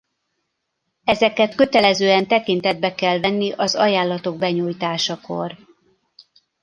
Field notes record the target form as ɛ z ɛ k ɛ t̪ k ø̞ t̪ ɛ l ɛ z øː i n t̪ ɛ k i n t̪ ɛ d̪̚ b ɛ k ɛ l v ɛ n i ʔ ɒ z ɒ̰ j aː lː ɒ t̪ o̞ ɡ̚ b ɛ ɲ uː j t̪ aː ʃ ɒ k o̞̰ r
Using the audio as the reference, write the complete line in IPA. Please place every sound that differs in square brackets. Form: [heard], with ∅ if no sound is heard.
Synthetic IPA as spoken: ɛ z ɛ k ɛ t̪ k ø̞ t̪ ɛ l ɛ z øː [ɛ] n t̪ ɛ k i n t̪ ɛ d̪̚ b ɛ k ɛ l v ɛ [nː] i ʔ ɒ z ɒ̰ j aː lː ɒ t̪ o̞ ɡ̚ b ɛ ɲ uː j t̪ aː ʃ ɒ k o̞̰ r